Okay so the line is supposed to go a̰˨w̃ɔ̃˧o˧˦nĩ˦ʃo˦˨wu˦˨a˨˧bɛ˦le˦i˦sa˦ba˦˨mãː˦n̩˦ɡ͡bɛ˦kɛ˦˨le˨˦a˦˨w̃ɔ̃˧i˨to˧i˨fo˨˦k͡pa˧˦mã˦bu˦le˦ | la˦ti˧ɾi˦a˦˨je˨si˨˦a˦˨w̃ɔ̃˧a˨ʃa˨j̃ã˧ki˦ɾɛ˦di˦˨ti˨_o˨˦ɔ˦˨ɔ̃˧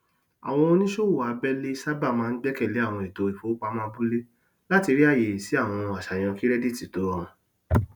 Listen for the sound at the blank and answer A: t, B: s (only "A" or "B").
A